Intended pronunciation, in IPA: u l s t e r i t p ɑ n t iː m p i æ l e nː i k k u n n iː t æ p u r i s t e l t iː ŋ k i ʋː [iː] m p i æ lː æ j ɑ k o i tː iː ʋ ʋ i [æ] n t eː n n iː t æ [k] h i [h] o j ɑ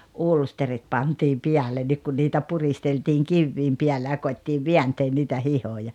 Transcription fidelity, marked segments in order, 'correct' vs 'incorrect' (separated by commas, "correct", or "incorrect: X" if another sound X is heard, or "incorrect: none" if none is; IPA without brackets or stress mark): correct, correct, incorrect: none, correct